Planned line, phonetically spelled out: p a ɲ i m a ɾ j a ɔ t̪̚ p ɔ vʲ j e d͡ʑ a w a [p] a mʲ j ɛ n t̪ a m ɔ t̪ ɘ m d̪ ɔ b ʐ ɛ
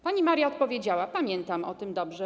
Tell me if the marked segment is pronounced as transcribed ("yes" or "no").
yes